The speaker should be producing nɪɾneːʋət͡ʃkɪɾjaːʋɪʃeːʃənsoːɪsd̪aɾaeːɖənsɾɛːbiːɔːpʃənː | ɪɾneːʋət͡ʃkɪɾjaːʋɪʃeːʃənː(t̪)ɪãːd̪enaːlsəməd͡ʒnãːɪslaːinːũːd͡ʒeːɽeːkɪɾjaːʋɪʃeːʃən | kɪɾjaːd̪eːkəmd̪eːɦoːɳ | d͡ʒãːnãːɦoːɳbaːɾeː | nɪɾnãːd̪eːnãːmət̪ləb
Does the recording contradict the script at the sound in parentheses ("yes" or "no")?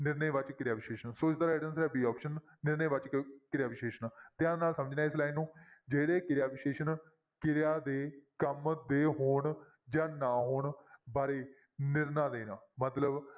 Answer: no